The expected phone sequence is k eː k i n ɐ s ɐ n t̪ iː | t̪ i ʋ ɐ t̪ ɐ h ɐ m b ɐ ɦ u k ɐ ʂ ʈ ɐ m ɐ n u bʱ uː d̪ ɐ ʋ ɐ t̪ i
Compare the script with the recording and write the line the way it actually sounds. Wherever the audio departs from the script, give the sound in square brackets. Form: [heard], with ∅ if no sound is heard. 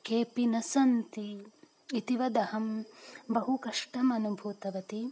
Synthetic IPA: k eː [p] i n ɐ s ɐ n t̪ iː | t̪ i ʋ ɐ [d̪] ɐ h ɐ m b ɐ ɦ u k ɐ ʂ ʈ ɐ m ɐ n u bʱ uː [t̪] ɐ ʋ ɐ t̪ i